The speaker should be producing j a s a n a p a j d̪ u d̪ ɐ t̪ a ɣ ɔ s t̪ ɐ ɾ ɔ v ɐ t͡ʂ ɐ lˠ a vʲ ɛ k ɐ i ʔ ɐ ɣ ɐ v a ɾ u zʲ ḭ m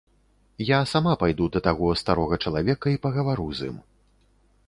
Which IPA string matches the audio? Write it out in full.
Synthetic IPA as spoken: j a s a m a p a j d̪ u d̪ ɐ t̪ a ɣ ɔ s t̪ a ɾ ɔ ɣ ɐ t͡ʂ ɐ lˠ a vʲ ɛ k ɐ i p ɐ ɣ ɐ v a ɾ u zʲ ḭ m